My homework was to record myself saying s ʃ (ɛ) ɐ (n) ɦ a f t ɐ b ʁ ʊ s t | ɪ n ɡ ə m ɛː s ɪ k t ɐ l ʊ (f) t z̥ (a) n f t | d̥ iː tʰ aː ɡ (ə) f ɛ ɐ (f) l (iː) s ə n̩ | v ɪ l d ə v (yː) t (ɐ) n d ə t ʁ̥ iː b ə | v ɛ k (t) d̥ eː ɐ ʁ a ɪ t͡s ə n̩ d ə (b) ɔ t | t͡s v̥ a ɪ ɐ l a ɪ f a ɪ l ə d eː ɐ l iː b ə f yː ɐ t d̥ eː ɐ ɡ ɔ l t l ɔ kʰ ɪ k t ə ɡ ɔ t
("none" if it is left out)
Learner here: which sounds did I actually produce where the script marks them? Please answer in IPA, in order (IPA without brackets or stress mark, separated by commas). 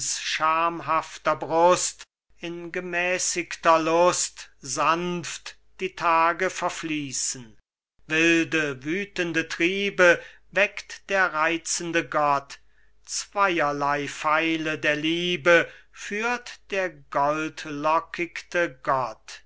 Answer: a, m, s, a, ə, f, iː, yː, ə, t, ɡ